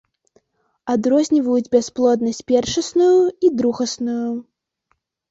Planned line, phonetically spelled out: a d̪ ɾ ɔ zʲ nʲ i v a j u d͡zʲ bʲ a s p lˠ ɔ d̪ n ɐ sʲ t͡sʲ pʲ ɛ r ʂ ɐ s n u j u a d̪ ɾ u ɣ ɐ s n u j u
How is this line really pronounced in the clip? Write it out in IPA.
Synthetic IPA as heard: a d̪ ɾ ɔ zʲ nʲ i v ɐ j u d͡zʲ bʲ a s p lˠ ɔ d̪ n ɐ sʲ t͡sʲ pʲ ɛ r ʂ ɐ s n u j u i d̪ ɾ u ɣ ɐ s n u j u